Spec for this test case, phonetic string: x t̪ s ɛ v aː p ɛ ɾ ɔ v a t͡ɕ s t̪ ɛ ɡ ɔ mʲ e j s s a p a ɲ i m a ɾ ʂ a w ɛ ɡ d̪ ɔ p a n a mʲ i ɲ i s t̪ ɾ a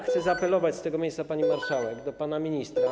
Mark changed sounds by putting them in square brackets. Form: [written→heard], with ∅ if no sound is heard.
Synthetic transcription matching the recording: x t̪ s ɛ [v→z] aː p ɛ [ɾ→l] ɔ v a t͡ɕ s t̪ ɛ ɡ ɔ mʲ e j s s a p a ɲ i m a ɾ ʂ a w ɛ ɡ d̪ ɔ p a n a mʲ i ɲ i s t̪ ɾ a